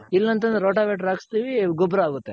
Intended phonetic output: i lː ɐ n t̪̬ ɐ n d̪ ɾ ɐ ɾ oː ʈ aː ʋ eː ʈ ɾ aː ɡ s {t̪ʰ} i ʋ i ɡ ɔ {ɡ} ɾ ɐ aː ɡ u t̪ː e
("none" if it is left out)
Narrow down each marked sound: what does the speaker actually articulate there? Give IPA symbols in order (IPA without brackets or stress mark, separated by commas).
t̪, b